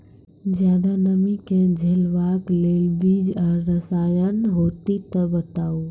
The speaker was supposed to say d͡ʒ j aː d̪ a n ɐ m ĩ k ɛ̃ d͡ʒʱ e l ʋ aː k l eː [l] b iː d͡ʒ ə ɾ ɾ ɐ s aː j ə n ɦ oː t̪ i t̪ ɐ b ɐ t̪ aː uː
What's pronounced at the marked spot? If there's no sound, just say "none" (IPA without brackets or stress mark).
l